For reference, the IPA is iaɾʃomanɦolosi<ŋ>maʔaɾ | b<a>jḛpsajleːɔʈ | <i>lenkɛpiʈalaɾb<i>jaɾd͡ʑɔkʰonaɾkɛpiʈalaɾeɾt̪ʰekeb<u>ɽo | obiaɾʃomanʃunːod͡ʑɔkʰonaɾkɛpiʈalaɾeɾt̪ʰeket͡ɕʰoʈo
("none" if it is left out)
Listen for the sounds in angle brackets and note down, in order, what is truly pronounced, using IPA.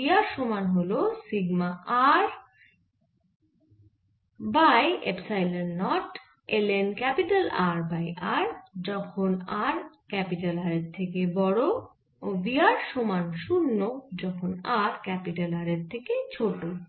ɡ, a, e, a, ɔ

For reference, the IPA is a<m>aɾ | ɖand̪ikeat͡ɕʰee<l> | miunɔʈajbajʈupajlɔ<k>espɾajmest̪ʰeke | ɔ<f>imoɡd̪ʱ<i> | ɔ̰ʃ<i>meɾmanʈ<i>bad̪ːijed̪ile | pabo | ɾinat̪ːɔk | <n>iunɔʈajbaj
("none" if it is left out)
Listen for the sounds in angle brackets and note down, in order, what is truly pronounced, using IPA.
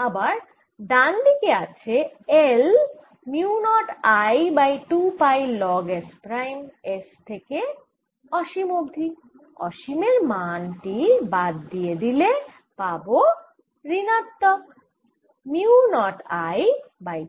b, l, ɡ, ʃ, i, i, i, m

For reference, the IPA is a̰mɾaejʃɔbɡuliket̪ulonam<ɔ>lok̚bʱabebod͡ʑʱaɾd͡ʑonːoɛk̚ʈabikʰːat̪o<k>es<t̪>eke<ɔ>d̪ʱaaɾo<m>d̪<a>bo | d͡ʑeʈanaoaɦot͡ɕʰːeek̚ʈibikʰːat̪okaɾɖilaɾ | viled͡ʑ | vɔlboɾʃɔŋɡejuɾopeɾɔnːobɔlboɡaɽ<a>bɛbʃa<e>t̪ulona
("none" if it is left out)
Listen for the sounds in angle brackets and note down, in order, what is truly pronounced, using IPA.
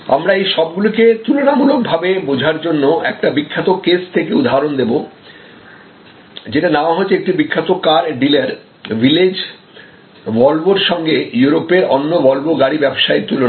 u, k, t̪ʰ, u, n, e, i, e

